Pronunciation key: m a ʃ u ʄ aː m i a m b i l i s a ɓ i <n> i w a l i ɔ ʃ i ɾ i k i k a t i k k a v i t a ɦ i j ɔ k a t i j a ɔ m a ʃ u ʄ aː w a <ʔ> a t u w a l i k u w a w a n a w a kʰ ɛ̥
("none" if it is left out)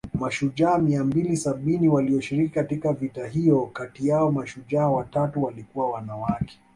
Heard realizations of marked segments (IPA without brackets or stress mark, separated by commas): n, t